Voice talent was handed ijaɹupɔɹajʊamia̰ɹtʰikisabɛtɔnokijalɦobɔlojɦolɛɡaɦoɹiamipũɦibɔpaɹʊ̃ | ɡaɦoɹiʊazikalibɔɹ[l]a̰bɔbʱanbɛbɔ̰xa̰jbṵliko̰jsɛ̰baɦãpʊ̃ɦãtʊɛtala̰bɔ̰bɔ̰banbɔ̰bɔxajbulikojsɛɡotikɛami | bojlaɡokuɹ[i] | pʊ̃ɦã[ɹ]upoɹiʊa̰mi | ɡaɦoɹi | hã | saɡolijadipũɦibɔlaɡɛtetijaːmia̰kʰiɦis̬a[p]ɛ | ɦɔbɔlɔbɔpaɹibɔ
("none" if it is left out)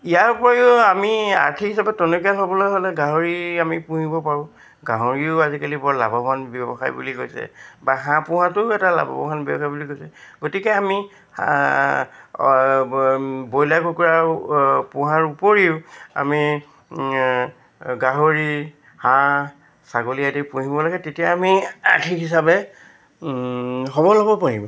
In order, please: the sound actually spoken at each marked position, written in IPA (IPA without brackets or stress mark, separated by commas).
l, a, ɹ, b